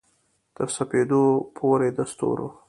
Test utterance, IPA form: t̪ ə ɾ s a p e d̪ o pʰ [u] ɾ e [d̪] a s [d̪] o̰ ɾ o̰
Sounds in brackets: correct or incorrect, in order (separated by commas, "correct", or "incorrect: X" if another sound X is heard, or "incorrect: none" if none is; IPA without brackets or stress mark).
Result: incorrect: o, correct, incorrect: t̪